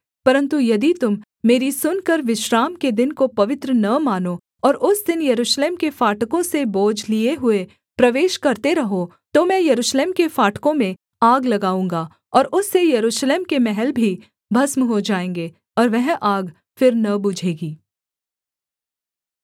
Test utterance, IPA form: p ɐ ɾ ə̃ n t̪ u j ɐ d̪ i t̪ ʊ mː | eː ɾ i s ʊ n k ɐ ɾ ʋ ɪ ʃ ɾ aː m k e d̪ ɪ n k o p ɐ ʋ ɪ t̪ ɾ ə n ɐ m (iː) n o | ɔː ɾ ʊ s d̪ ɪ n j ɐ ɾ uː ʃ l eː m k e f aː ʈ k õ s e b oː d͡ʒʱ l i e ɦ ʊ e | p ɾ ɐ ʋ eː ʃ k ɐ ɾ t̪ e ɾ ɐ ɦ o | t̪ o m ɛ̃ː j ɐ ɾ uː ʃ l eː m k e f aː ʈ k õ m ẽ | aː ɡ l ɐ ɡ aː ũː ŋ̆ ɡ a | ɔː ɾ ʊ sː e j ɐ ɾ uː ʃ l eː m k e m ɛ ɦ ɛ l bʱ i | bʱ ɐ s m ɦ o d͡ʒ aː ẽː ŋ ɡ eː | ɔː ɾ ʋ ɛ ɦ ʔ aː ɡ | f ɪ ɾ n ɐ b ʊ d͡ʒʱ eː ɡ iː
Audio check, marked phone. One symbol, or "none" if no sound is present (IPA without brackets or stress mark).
aː